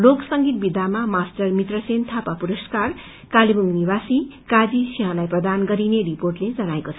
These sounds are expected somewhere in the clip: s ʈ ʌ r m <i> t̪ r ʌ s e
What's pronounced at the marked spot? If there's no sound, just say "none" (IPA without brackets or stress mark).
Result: i